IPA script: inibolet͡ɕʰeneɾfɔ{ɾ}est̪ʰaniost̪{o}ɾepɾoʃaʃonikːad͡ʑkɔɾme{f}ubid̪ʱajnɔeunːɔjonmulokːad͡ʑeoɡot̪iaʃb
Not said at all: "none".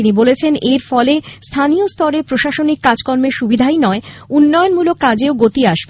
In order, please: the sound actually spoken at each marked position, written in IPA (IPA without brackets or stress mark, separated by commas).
l, ɔ, ʃ